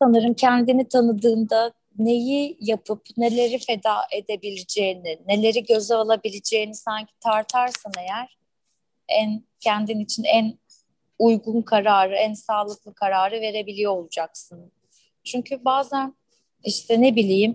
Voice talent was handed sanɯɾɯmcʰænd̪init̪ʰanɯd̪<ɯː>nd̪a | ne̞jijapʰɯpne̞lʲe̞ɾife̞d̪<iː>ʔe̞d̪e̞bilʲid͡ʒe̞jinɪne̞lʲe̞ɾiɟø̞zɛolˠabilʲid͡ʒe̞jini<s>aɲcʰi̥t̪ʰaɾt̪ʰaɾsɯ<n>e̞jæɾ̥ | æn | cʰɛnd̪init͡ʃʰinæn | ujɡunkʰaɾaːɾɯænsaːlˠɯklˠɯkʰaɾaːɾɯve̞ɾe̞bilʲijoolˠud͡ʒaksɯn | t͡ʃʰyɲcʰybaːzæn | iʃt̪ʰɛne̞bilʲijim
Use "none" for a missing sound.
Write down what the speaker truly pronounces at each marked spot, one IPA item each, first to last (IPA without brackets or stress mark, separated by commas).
ɯː, aː, s, n